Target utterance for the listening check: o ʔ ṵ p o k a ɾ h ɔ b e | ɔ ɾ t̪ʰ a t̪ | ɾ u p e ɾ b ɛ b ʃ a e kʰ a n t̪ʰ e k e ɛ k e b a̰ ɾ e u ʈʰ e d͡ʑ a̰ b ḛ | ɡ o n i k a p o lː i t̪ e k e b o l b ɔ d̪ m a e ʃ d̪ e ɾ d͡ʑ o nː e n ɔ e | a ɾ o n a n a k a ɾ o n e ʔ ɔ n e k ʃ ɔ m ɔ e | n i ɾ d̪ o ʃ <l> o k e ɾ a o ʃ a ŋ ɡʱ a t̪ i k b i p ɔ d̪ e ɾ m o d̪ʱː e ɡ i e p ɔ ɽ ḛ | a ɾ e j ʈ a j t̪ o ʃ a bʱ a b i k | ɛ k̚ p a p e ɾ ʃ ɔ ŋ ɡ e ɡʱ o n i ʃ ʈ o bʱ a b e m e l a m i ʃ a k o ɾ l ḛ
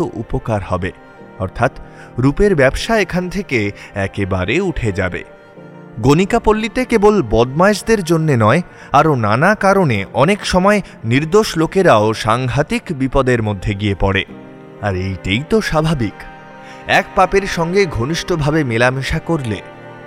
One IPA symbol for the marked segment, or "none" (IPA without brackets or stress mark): l